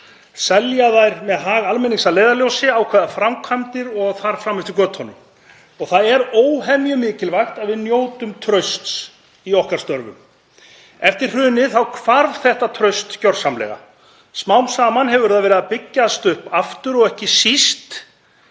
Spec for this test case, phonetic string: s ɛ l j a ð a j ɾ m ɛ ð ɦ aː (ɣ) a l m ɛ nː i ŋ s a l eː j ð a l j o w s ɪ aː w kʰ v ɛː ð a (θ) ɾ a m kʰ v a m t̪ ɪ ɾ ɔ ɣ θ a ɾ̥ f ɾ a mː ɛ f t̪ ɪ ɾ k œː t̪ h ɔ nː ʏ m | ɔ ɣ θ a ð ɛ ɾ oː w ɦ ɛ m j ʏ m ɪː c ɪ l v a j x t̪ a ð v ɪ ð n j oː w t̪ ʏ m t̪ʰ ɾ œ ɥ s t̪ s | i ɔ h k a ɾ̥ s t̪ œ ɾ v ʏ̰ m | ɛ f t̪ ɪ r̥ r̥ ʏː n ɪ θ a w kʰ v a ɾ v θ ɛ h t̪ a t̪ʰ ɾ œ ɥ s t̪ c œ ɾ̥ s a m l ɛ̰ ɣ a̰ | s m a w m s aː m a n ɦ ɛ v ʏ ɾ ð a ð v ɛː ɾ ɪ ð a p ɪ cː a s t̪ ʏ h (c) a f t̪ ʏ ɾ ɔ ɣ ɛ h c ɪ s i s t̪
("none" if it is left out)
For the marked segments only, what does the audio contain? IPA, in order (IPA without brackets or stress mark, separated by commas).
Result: ɣ, f, p